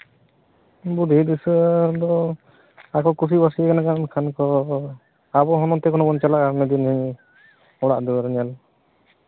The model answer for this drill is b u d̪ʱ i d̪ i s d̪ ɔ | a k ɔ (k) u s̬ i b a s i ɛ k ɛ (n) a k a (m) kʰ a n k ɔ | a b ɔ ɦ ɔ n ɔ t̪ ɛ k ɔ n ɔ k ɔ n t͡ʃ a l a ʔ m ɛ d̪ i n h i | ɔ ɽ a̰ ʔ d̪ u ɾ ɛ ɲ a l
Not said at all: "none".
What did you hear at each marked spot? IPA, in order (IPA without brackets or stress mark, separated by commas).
k, n, n